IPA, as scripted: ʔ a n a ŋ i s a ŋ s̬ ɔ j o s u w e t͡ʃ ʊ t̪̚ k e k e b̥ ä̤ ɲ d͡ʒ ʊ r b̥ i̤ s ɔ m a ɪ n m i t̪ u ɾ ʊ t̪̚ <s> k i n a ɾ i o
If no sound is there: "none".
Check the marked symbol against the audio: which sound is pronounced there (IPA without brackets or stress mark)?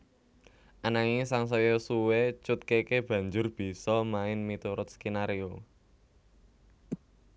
s